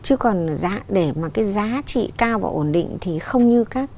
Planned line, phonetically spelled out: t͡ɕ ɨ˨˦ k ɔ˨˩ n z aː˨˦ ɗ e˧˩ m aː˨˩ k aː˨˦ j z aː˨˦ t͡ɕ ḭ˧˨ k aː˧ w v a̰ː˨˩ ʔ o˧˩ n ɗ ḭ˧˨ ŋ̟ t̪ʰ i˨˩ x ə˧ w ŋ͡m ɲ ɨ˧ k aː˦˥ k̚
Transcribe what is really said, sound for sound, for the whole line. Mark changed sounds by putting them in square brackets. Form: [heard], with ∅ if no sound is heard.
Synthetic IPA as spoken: t͡ɕ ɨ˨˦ k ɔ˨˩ n z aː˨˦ ɗ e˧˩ m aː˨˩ k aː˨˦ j z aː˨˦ t͡ɕ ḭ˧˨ k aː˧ w v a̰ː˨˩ ʔ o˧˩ n ɗ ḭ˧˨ ŋ̟ t̪ʰ i˨˩ x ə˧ w ŋ͡m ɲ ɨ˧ k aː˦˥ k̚